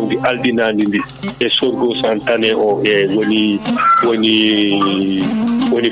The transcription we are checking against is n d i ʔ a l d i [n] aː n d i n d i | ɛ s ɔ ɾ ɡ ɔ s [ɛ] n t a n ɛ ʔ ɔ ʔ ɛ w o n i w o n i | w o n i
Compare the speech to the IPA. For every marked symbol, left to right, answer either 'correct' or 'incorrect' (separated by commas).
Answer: correct, incorrect